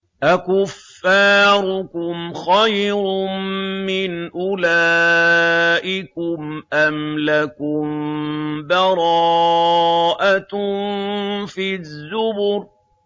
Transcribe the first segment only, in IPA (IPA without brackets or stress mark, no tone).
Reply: ʔ